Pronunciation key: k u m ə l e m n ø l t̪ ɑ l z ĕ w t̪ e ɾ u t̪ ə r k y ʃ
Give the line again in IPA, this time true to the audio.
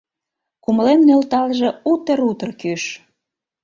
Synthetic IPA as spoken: k u m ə l e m n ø l t̪ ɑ l ʒ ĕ u t̪ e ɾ u t̪ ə r k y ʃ